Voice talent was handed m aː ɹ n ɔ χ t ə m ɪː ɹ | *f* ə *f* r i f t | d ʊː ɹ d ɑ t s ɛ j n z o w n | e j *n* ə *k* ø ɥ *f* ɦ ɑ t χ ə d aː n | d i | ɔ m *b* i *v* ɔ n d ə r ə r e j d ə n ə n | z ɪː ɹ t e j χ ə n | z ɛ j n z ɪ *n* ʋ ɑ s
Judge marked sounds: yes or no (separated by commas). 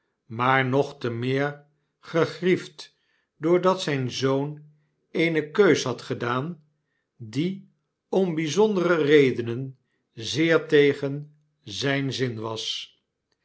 no, no, yes, yes, no, yes, no, yes